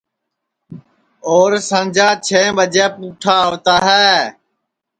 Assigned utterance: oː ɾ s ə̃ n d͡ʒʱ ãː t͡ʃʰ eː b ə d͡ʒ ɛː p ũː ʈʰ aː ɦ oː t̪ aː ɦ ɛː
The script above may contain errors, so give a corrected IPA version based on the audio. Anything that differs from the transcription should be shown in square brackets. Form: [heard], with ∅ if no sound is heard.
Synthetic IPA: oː ɾ s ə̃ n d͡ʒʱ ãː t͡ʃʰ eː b ə d͡ʒ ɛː p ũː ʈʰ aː ɦ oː t̪ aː ɦ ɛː